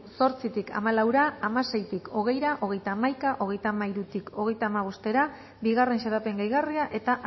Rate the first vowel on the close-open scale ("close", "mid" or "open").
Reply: mid